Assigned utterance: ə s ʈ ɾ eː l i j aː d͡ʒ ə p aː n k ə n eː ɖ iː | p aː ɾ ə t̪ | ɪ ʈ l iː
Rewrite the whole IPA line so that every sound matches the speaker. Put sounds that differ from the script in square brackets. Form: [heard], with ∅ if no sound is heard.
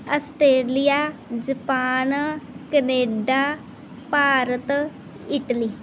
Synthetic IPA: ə s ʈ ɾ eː l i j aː d͡ʒ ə p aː n k ə n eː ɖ [aː] | p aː ɾ ə t̪ | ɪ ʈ l iː